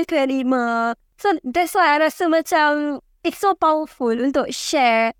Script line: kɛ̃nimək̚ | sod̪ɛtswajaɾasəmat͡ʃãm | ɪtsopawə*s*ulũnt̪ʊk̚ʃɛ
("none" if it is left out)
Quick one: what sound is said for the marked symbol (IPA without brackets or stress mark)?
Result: f